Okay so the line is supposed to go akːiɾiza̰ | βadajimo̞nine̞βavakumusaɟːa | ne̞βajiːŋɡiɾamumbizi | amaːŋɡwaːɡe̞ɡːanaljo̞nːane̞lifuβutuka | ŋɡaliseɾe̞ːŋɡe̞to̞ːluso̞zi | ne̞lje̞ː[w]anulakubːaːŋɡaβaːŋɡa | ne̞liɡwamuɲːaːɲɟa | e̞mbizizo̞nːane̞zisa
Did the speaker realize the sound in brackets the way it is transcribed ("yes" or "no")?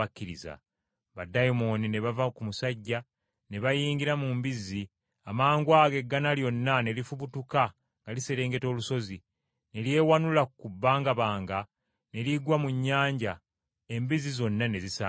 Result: yes